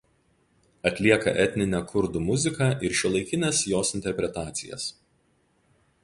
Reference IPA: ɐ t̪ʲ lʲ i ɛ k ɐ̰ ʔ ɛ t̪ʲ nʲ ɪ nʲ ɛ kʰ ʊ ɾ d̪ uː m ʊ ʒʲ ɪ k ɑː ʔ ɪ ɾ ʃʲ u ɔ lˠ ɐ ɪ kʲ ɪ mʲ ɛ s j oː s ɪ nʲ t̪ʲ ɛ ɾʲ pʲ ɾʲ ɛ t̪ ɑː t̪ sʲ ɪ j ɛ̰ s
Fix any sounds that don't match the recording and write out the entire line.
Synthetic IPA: ɐ t̪ʲ lʲ i ɛ k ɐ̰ ʔ ɛ t̪ʲ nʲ ɪ nʲ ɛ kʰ ʊ ɾ d̪ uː m ʊ zʲ ɪ k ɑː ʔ ɪ ɾ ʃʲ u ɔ lˠ ɐ ɪ kʲ ɪ nʲ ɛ s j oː s ɪ nʲ t̪ʲ ɛ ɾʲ pʲ ɾʲ ɛ t̪ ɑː t̪ sʲ ɪ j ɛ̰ s